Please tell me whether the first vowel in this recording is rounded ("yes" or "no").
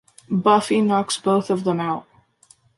no